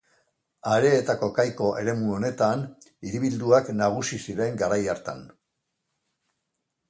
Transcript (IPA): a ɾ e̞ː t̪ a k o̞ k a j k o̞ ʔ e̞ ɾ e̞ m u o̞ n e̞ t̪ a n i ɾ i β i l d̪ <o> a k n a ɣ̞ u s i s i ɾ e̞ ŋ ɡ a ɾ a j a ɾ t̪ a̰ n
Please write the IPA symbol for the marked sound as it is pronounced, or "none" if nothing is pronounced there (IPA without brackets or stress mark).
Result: u